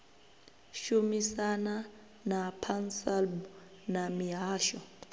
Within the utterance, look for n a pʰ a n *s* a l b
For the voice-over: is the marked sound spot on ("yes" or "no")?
yes